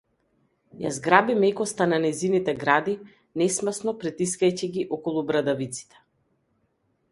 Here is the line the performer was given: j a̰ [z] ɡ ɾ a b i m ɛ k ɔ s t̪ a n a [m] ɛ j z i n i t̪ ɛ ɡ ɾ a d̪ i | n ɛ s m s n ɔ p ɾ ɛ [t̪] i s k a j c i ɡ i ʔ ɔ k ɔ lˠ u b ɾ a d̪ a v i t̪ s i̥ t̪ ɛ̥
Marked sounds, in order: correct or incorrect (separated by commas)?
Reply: correct, incorrect, correct